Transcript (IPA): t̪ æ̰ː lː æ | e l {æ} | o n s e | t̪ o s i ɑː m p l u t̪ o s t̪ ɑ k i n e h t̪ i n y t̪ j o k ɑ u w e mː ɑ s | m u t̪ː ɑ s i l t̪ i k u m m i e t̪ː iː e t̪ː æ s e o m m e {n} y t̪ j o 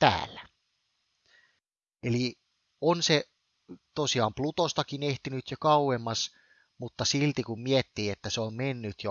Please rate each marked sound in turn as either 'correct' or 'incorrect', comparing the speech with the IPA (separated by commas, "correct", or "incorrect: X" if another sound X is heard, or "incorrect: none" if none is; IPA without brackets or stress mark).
incorrect: i, incorrect: nː